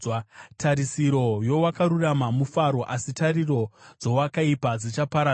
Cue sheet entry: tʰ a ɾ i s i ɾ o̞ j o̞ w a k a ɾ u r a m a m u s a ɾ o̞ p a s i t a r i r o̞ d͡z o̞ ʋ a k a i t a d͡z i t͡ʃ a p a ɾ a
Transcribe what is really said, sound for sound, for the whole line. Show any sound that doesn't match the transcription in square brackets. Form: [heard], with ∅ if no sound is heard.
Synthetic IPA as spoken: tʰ a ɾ i s i ɾ o̞ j o̞ w a k a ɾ u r a m a m u [f] a ɾ o̞ [ʔ] a s i t a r i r o̞ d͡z o̞ [w] a k a i [p] a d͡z i t͡ʃ a p a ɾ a